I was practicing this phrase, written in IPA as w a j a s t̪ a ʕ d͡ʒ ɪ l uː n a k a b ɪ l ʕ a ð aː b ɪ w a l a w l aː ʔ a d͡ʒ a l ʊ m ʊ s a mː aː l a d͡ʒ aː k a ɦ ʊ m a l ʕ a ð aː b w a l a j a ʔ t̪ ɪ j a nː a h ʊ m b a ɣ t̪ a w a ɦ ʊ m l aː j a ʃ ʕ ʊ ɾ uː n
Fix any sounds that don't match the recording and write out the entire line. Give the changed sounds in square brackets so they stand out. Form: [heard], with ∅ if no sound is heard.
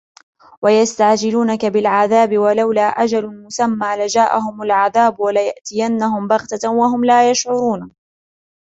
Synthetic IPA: w a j a s t̪ a ʕ d͡ʒ ɪ l uː n a k a b ɪ l ʕ a ð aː b ɪ w a l a w l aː ʔ a d͡ʒ a l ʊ m ʊ s a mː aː l a d͡ʒ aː [ʔ] a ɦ ʊ m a l ʕ a ð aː b w a l a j a ʔ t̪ ɪ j a nː a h ʊ m b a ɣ t̪ a w a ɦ ʊ m l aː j a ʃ ʕ ʊ ɾ uː n

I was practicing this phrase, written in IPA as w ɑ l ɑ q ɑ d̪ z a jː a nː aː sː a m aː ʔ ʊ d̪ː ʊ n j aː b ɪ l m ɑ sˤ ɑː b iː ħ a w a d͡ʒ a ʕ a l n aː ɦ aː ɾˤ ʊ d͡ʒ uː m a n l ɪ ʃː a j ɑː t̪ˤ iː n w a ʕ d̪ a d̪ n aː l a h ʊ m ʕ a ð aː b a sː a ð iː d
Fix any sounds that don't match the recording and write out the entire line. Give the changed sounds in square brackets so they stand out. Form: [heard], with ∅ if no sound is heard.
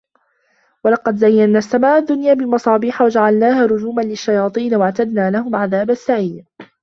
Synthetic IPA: w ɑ l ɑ q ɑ d̪ z a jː a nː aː sː a m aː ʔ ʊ d̪ː ʊ n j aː b ɪ l m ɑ sˤ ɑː b iː ħ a w a d͡ʒ a ʕ a l n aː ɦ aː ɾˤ ʊ d͡ʒ uː m a n l ɪ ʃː a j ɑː t̪ˤ iː n w a ʕ [t̪] a d̪ n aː l a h ʊ m ʕ a ð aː b a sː a [ʕ] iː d

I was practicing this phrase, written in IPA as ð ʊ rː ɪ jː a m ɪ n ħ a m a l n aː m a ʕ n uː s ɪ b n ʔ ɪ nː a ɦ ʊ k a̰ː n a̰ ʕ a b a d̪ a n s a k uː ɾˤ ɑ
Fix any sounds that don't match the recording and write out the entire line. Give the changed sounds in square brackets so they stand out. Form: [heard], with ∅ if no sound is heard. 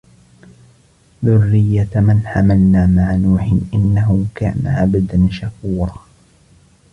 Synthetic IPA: ð ʊ rː ɪ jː a m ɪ n ħ a m a l n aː m a ʕ n uː [ħ] ɪ [∅] n ʔ ɪ nː a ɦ ʊ k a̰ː n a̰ ʕ a b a d̪ a n [ʃ] a k uː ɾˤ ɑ

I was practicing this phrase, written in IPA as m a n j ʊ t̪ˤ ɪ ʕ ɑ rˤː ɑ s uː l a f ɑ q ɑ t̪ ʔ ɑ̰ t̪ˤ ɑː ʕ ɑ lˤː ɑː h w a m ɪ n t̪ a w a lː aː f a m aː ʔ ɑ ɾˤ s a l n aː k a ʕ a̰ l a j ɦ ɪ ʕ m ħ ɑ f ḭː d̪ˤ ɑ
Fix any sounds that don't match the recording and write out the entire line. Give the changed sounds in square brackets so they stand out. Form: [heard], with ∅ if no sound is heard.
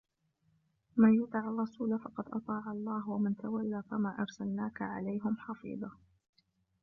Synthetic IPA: m a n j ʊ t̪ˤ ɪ ʕ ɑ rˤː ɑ s uː l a f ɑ q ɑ [d̪] ʔ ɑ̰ t̪ˤ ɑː ʕ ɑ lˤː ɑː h w a m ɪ n t̪ a w a lː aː f a m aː ʔ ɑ ɾˤ s a l n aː k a ʕ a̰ l a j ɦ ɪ [∅] m ħ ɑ f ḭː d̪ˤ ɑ

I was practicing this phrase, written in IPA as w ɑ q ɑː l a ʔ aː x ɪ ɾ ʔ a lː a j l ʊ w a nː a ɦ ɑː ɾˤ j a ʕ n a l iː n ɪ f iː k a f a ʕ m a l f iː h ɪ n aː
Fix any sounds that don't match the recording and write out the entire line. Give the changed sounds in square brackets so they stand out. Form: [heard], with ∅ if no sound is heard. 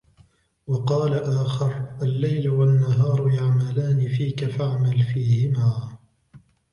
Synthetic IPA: w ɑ q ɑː l a ʔ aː x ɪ ɾ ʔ a lː a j l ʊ w a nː a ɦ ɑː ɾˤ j a ʕ [m] a l [aː] n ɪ f iː k a f a ʕ m a l f iː h ɪ [m] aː

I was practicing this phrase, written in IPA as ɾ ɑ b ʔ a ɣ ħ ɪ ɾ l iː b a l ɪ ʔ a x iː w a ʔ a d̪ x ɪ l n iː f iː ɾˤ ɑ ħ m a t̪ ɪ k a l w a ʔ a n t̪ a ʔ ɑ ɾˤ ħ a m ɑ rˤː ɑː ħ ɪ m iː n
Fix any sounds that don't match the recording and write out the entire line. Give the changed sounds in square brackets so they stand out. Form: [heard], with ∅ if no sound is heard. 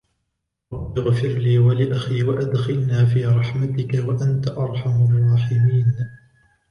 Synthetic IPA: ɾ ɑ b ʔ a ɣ [f] ɪ ɾ l iː [w] a l ɪ ʔ a x iː w a ʔ a d̪ x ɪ l n [aː] f iː ɾˤ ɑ ħ m a t̪ ɪ k a [∅] w a ʔ a n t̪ a ʔ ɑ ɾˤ ħ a m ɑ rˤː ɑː ħ ɪ m iː n

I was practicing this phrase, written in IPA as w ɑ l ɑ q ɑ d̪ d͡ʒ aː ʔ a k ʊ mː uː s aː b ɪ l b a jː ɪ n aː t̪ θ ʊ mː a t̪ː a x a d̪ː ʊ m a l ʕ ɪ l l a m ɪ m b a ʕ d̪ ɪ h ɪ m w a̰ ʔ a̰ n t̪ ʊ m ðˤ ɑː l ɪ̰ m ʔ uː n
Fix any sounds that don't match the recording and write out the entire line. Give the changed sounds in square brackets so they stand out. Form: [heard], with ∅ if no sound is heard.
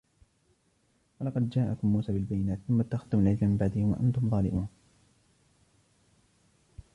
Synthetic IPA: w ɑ l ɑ q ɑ d̪ d͡ʒ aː ʔ a k ʊ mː uː s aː b ɪ l b a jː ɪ n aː t̪ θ ʊ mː a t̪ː a x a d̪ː ʊ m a l ʕ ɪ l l a m ɪ m b a ʕ d̪ ɪ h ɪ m w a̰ ʔ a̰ n t̪ ʊ m ðˤ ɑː l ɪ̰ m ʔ uː n

